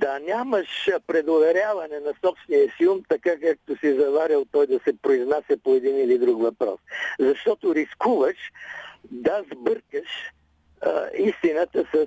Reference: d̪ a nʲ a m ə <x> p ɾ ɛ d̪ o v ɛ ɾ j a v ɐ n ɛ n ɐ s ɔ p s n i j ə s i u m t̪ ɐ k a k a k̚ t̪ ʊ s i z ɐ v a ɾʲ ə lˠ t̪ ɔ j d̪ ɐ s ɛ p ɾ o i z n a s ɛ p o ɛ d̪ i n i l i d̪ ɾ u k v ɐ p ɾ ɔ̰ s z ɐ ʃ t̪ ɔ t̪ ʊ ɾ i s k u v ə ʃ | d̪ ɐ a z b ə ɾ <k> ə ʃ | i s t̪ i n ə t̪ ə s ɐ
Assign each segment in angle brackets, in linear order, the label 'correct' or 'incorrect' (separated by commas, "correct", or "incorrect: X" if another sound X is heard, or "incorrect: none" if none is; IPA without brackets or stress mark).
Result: incorrect: ʃ, correct